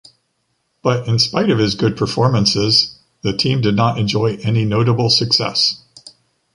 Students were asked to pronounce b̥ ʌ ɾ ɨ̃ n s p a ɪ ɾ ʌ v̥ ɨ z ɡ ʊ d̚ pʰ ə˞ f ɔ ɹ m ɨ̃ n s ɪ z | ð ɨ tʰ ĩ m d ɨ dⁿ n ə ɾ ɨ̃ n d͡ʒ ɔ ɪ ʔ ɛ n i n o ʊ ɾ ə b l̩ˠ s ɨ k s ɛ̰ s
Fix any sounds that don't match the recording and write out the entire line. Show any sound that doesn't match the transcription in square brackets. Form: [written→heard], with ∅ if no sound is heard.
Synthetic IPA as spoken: b̥ ʌ ɾ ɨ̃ n s p a ɪ ɾ ʌ v̥ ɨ z ɡ ʊ d̚ pʰ ə˞ f ɔ ɹ m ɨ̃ n s ɪ z | ð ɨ tʰ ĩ m d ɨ dⁿ n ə ɾ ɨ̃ n d͡ʒ ɔ ɪ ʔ ɛ n i n o ʊ ɾ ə b l̩ˠ s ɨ k s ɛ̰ s